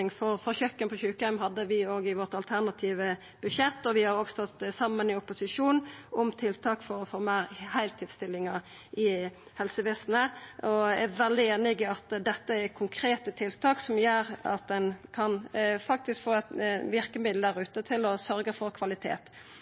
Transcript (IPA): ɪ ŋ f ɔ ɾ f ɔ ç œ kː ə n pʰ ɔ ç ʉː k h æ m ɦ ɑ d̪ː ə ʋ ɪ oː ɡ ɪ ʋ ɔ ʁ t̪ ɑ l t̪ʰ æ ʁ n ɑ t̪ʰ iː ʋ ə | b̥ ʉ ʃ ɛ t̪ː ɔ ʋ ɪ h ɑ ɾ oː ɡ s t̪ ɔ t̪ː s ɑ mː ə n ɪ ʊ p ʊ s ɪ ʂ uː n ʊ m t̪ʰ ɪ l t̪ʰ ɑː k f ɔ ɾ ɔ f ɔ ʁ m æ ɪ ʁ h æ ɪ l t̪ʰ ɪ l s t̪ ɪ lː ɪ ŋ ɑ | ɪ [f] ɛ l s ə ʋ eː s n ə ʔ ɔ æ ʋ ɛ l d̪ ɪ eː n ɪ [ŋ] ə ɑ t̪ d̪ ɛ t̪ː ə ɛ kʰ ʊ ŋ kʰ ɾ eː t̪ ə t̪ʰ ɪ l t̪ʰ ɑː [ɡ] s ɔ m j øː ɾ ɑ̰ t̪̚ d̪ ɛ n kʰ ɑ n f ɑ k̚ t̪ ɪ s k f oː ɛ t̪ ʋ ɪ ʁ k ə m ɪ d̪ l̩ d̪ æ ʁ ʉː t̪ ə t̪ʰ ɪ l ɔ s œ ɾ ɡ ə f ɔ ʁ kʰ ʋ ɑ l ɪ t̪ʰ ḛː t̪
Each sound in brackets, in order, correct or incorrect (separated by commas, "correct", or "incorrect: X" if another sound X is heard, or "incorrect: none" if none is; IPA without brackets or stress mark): incorrect: h, incorrect: ɡ, incorrect: k